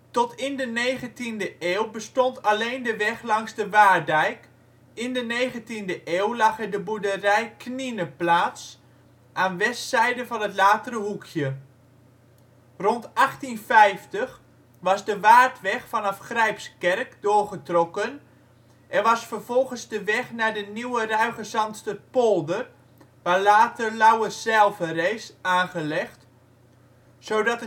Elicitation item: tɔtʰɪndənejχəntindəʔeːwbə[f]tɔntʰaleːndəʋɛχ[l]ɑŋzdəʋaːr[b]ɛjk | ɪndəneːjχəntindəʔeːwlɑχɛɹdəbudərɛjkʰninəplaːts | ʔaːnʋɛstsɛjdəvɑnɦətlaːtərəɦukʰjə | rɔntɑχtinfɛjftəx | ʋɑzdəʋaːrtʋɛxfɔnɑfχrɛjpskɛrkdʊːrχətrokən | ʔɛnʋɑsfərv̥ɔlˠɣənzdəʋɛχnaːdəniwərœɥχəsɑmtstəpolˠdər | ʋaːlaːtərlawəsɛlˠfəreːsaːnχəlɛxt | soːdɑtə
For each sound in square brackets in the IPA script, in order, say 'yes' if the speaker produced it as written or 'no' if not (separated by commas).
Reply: no, yes, no